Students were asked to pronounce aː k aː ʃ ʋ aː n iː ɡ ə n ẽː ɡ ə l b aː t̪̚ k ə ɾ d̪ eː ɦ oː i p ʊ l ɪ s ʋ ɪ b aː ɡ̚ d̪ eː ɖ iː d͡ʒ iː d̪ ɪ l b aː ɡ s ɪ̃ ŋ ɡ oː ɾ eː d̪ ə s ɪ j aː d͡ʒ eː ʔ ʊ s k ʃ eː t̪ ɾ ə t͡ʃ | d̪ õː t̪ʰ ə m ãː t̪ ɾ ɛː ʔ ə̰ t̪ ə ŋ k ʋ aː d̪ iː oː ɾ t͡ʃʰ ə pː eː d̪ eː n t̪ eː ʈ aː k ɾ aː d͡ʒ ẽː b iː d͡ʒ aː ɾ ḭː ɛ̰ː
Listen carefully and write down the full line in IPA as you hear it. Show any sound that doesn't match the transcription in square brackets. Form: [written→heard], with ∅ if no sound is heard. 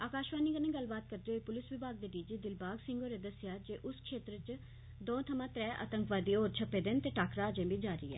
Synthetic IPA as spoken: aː k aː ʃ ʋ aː n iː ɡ ə n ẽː ɡ ə l b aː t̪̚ k ə ɾ d̪ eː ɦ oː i p ʊ l ɪ s ʋ ɪ b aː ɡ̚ d̪ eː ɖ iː d͡ʒ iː d̪ ɪ l b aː ɡ s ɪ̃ ŋ ɡ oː ɾ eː d̪ ə s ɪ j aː d͡ʒ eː ʔ ʊ s k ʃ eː t̪ ɾ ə t͡ʃ | d̪ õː t̪ʰ ə m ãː t̪ ɾ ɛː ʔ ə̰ t̪ ə ŋ k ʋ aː d̪ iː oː ɾ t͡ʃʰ ə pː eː d̪ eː n t̪ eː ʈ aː k ɾ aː d͡ʒ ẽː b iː d͡ʒ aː ɾ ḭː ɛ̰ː

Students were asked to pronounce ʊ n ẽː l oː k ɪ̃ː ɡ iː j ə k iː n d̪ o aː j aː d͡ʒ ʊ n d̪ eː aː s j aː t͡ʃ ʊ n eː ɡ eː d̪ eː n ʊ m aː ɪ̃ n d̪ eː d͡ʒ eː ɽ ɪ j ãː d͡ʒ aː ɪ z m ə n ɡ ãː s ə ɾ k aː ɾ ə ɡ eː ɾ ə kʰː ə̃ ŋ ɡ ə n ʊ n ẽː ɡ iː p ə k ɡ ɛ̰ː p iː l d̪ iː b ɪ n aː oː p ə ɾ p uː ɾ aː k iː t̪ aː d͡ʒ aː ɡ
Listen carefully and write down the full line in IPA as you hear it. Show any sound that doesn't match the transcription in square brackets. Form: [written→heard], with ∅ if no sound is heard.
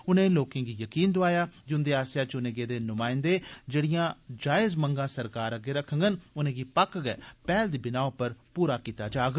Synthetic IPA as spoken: ʊ n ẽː l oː k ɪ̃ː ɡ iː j ə k iː n d̪ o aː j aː d͡ʒ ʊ n d̪ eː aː s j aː t͡ʃ ʊ n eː ɡ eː d̪ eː n ʊ m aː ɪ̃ n d̪ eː d͡ʒ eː ɽ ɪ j ãː d͡ʒ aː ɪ z m ə [n→ŋ] ɡ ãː s ə ɾ k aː ɾ ə ɡ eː ɾ ə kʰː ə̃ ŋ ɡ ə n ʊ n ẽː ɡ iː p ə k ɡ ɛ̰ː p [iː→ɛː] l d̪ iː b ɪ n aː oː p ə ɾ p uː ɾ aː k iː t̪ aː d͡ʒ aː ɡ

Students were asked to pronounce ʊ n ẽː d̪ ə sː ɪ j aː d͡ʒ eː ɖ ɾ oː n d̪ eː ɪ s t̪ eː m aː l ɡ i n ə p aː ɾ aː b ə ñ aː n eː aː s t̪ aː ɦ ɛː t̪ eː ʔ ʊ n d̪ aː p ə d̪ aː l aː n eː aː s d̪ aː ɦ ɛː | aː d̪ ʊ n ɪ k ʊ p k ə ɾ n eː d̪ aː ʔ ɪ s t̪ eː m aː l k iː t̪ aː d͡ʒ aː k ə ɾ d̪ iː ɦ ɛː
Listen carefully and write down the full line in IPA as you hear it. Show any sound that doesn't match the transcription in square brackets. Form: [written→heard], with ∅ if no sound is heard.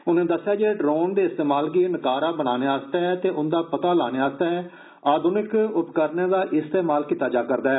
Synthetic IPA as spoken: ʊ n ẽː d̪ ə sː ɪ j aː d͡ʒ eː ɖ ɾ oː n d̪ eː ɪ s t̪ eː m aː l ɡ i n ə [p→k] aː ɾ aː b ə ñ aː n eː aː s t̪ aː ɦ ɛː t̪ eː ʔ ʊ n d̪ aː p ə [d̪→t̪] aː l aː n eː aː s [d̪→t̪] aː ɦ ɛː | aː d̪ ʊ n ɪ k ʊ p k ə ɾ n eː d̪ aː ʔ ɪ s t̪ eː m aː l k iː t̪ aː d͡ʒ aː k ə ɾ d̪ [iː→aː] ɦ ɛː

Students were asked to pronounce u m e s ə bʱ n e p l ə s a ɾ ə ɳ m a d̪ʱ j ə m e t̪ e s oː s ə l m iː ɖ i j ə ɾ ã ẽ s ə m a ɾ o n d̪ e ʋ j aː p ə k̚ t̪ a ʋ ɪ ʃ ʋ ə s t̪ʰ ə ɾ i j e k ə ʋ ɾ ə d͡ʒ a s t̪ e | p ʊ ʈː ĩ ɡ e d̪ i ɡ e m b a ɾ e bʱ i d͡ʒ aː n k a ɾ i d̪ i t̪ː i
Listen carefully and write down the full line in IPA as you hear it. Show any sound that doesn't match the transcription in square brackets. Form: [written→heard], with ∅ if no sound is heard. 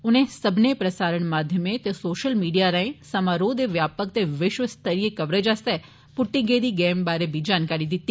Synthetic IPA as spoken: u [m→n] e s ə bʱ n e p [l→ɾ] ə s a ɾ ə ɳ m a d̪ʱ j ə m e t̪ e s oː [s→ʃ] ə l m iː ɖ i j [ə→a] ɾ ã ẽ s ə m a ɾ o [n→∅] d̪ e ʋ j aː p ə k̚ t̪ [a→e] ʋ ɪ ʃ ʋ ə s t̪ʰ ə ɾ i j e k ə ʋ ɾ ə d͡ʒ a s t̪ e | p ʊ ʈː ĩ ɡ e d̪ i ɡ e m b a ɾ e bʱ i d͡ʒ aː n k a ɾ i d̪ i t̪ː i

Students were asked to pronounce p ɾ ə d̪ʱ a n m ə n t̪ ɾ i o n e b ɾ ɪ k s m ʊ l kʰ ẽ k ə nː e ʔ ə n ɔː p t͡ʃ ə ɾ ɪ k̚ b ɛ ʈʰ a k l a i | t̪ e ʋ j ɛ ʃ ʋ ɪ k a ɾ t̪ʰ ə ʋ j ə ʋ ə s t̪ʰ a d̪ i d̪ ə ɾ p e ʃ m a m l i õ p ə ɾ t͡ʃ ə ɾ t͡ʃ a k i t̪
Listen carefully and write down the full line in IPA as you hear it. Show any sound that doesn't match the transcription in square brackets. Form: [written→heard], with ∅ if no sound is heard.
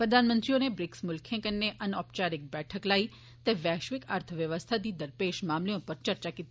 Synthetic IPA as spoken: p ɾ ə d̪ʱ a n m ə n t̪ ɾ i o n e b ɾ ɪ k s m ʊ l kʰ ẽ k ə nː e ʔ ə n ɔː p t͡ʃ [ə→a] ɾ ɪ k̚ b ɛ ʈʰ [a→ə] k l a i | t̪ e ʋ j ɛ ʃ ʋ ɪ k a ɾ t̪ʰ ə ʋ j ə ʋ ə s t̪ʰ a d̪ i d̪ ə ɾ p e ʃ m a m l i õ p ə ɾ t͡ʃ ə ɾ t͡ʃ a k i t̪

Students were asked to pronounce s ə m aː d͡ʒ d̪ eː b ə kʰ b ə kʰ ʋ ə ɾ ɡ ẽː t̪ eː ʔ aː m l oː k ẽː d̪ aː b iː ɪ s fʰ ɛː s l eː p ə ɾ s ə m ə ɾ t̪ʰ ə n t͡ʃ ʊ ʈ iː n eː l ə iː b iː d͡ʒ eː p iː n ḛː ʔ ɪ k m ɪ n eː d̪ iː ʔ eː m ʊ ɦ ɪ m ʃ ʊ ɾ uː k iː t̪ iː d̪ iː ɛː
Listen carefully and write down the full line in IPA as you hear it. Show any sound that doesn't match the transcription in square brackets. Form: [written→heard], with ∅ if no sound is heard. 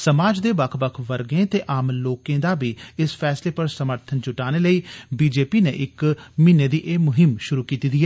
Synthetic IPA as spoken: s ə m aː d͡ʒ d̪ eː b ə kʰ b ə kʰ ʋ ə ɾ ɡ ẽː t̪ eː ʔ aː m l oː k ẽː d̪ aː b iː ɪ s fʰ ɛː s l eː p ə ɾ s ə m ə ɾ t̪ʰ ə n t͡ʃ ʊ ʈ [iː→aː] n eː l ə iː b iː d͡ʒ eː p iː n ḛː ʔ ɪ k m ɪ n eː d̪ iː ʔ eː m ʊ ɦ ɪ m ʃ ʊ ɾ uː k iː t̪ iː d̪ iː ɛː

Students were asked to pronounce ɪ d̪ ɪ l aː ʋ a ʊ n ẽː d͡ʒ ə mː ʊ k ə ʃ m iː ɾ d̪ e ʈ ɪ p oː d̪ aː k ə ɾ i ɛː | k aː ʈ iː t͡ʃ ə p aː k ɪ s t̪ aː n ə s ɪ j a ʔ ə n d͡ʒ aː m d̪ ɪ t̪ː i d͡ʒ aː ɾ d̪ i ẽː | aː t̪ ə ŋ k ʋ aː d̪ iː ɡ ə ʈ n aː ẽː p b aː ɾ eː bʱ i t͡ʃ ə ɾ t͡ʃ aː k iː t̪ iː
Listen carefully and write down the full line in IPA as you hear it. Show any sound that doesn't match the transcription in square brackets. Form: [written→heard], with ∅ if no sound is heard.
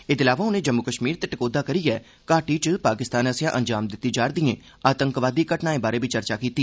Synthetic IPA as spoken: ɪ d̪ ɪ l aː ʋ a ʊ n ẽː d͡ʒ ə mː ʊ k ə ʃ m iː ɾ [d̪→t̪] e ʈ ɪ [p→k] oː d̪ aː k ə ɾ i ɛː | k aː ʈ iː t͡ʃ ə p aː k ɪ s t̪ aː n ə s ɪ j a ʔ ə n d͡ʒ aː m d̪ ɪ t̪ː i d͡ʒ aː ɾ d̪ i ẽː | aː t̪ ə ŋ k ʋ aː d̪ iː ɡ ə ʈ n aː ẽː [p→∅] b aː ɾ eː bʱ i t͡ʃ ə ɾ t͡ʃ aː k iː t̪ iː

